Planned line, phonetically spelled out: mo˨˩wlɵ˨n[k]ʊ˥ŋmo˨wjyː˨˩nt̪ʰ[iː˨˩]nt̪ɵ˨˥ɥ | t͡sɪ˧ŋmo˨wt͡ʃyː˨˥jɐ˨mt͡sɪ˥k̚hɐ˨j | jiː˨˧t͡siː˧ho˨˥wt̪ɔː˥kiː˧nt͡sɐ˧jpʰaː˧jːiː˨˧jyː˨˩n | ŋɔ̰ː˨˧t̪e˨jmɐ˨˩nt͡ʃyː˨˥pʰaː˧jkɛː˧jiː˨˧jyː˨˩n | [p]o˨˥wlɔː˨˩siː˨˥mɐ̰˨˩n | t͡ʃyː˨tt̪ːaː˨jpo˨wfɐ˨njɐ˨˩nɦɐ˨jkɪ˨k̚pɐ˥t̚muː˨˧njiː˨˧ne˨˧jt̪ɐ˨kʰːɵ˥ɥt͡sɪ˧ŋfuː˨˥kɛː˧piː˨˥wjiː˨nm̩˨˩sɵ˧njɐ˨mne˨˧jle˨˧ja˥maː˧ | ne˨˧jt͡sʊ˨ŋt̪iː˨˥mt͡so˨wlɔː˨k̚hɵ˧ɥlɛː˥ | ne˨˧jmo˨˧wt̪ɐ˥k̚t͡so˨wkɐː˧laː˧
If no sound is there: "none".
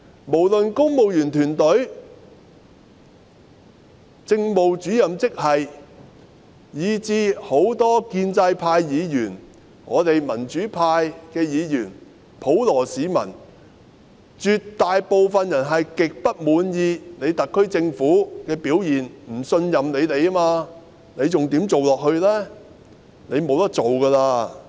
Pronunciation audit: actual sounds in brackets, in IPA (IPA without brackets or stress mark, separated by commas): k, yː˨˩, pʰ